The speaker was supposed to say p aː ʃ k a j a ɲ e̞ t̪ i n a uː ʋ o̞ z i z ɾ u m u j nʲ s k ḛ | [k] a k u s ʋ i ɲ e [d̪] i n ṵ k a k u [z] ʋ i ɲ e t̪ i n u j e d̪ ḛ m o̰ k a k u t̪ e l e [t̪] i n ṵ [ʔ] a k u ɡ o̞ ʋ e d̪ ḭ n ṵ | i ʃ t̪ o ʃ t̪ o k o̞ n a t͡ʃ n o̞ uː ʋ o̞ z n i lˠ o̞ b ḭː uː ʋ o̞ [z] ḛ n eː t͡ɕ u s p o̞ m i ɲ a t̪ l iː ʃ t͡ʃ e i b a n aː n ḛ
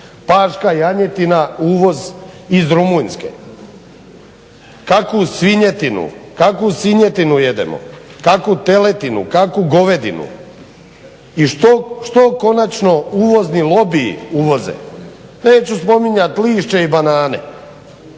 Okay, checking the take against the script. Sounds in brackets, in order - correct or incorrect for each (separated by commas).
correct, incorrect, incorrect, correct, incorrect, correct